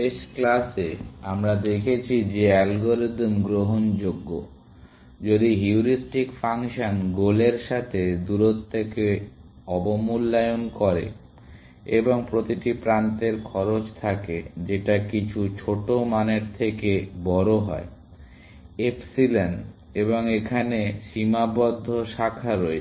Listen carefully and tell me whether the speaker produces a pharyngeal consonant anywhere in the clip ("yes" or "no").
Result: no